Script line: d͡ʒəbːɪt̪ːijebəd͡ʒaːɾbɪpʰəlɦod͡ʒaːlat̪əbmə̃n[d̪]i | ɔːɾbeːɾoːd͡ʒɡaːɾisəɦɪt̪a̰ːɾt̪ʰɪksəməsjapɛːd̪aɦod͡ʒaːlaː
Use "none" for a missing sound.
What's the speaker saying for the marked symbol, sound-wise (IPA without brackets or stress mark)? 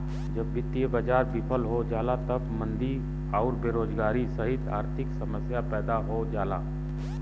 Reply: d̪